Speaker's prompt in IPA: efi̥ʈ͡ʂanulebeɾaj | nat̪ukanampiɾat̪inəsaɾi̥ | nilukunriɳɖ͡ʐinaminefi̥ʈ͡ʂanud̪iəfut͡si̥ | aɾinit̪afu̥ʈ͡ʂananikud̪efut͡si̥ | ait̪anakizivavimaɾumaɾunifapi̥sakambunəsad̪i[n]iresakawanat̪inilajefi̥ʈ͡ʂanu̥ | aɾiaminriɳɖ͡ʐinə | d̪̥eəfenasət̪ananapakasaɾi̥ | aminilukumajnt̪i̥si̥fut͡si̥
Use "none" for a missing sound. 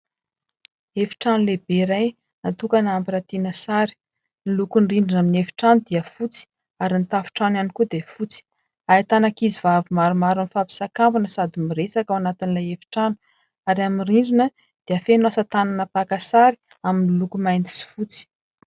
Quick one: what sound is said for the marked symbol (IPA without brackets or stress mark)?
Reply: m